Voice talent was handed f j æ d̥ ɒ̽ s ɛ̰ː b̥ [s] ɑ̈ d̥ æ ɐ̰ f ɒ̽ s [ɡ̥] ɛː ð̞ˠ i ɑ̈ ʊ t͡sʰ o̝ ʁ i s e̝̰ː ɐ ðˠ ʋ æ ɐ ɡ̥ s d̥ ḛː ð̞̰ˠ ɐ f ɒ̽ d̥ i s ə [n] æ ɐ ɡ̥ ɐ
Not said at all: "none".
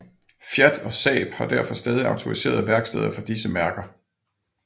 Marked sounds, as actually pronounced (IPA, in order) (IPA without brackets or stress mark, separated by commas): h, d̥, m